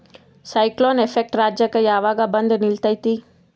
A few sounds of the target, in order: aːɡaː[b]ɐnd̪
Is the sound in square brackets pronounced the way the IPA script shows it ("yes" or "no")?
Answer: yes